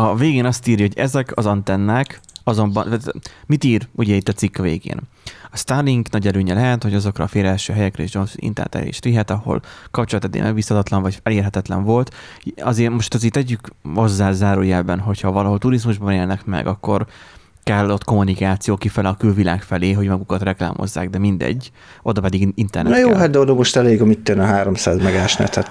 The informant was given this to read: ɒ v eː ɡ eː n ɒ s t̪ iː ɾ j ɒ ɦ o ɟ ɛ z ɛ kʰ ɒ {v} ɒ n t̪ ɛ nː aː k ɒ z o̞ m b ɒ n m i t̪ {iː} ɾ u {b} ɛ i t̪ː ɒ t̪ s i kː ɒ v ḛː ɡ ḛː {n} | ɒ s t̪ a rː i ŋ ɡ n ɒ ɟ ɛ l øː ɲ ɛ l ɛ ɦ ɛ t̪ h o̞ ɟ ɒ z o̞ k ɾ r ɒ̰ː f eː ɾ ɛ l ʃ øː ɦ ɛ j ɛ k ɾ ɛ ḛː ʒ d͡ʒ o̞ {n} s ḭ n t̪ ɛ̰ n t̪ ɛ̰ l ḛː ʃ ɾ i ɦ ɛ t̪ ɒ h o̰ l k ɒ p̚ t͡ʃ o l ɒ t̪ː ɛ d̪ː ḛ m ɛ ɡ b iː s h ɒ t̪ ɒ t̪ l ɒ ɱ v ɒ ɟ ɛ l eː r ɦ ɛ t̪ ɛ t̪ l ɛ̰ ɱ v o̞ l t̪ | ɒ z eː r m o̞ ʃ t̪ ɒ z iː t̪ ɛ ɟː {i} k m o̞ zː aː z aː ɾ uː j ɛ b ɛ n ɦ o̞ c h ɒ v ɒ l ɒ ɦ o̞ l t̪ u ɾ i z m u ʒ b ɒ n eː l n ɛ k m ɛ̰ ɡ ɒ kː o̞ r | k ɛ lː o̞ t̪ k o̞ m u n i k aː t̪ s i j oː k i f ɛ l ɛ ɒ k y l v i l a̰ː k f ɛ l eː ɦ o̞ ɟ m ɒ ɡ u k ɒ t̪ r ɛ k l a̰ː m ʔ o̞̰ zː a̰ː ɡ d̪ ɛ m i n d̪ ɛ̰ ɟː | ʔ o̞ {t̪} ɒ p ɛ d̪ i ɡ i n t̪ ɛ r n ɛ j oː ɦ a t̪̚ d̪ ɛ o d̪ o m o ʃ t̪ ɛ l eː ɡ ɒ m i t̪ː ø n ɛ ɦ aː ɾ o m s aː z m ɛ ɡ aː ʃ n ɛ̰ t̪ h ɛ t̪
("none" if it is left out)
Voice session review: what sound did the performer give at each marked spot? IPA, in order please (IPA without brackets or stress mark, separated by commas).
z, iː, ɟ, n, n, y, d̪